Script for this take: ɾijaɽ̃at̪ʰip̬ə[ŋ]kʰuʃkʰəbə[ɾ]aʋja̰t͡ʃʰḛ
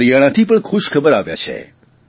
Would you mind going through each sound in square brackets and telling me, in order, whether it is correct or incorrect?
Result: incorrect: ɳ, correct

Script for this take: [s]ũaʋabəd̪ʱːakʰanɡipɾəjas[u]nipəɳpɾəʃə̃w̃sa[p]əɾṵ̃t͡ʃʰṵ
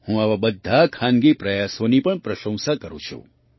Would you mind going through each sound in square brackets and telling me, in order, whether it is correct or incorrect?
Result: incorrect: h, incorrect: o, incorrect: k

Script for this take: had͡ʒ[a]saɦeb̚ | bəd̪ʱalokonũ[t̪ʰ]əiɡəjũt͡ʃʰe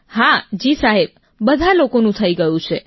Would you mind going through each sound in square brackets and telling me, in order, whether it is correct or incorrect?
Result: incorrect: i, correct

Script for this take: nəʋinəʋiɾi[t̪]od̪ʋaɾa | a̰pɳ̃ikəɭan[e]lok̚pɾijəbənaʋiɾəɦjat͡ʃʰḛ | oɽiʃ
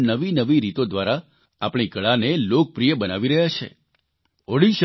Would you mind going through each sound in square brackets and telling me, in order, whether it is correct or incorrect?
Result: correct, correct

